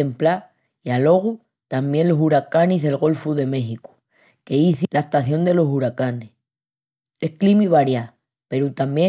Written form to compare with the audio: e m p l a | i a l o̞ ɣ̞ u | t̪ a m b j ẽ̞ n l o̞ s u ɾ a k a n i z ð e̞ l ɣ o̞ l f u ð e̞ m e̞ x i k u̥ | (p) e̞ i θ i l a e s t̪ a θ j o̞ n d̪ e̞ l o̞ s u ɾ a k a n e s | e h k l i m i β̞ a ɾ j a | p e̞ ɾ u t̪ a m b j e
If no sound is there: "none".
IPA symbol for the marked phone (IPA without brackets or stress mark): k